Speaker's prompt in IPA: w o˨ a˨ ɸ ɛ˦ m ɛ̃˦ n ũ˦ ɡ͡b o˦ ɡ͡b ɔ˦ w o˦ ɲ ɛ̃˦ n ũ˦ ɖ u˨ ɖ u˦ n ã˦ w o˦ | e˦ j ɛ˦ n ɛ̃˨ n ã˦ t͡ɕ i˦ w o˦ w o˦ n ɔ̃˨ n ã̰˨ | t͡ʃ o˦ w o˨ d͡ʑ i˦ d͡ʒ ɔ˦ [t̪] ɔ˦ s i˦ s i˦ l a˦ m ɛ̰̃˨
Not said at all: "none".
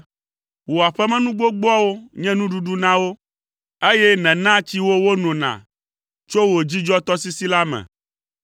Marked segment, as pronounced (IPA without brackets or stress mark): t̪